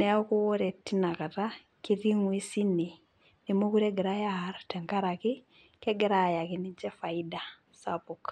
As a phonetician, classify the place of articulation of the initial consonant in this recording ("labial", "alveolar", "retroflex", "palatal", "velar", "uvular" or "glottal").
alveolar